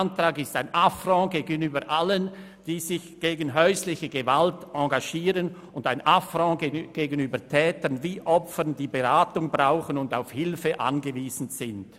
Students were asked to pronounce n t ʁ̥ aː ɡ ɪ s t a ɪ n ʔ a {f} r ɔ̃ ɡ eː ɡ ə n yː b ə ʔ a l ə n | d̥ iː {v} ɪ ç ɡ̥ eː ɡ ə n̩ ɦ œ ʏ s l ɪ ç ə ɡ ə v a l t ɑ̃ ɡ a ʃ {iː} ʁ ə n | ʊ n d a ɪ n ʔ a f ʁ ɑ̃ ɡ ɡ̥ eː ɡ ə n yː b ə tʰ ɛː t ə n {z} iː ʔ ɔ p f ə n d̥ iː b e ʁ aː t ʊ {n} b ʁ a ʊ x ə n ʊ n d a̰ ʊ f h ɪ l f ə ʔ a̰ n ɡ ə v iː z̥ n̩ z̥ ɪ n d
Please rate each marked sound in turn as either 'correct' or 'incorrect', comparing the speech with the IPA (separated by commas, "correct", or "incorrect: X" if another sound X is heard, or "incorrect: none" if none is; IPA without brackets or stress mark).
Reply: correct, incorrect: z, correct, incorrect: v, incorrect: ŋ